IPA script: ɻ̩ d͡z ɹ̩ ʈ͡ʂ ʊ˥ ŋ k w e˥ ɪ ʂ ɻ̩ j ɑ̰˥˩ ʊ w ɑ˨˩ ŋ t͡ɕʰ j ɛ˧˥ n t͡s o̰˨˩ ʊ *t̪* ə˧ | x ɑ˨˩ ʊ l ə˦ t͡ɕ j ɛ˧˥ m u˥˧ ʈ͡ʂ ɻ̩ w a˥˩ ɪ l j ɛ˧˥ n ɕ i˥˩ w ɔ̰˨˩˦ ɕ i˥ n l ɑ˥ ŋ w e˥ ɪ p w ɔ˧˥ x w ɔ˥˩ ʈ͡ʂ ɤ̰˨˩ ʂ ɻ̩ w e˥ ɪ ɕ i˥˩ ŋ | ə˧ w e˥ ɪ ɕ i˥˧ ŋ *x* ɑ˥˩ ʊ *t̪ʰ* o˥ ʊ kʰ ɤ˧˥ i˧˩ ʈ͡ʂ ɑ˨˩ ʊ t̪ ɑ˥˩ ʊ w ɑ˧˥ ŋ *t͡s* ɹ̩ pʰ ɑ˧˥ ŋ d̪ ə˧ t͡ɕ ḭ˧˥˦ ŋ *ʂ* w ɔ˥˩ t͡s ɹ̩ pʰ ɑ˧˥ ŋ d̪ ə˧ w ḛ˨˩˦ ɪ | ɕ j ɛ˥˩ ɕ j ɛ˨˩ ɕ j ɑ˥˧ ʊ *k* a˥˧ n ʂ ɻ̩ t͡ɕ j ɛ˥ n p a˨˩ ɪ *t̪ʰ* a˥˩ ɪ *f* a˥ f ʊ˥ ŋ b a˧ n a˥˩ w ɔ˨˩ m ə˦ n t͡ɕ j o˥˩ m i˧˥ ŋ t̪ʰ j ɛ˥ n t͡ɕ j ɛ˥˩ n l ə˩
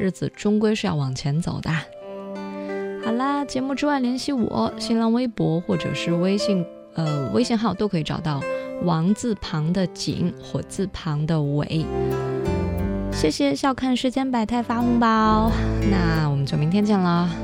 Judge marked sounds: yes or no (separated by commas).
no, yes, no, yes, no, no, yes, yes